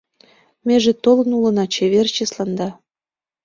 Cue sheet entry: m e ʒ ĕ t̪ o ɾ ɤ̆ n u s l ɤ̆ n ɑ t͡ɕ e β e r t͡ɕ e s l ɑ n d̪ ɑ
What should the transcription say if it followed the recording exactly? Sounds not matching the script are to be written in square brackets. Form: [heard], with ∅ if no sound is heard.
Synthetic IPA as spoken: m e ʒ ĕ t̪ o [l] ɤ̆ n u [∅] l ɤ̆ n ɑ t͡ɕ e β e r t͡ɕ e s l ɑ n d̪ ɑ